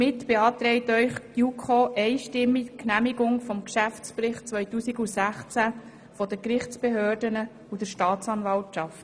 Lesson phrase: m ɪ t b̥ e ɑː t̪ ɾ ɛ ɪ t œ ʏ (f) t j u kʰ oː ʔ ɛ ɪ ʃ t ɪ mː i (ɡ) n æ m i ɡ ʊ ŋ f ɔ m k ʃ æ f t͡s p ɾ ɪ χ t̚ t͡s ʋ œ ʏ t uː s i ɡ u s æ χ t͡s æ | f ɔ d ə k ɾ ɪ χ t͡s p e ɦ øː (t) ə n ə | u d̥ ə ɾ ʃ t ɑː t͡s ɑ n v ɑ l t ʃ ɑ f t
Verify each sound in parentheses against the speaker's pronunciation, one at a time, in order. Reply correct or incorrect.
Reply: incorrect: χ, incorrect: k, incorrect: d

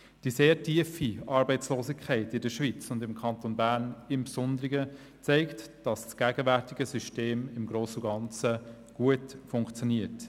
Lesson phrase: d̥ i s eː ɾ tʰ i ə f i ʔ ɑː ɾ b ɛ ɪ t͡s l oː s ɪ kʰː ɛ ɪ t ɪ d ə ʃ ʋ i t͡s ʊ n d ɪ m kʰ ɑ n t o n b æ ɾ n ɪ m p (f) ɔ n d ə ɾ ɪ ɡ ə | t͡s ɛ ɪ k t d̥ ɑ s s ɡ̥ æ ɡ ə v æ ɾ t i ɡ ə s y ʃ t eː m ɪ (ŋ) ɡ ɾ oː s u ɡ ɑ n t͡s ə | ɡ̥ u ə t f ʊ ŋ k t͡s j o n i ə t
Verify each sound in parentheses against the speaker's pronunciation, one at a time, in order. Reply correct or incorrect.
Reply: incorrect: s, incorrect: m

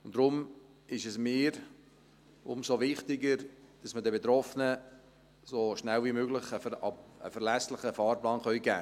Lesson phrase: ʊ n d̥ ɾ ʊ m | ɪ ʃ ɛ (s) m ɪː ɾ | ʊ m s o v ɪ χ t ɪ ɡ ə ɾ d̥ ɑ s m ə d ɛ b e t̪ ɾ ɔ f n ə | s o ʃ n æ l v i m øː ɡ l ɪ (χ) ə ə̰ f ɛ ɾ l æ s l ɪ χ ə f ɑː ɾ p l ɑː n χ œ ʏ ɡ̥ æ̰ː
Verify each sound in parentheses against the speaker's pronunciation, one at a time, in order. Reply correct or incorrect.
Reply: correct, correct

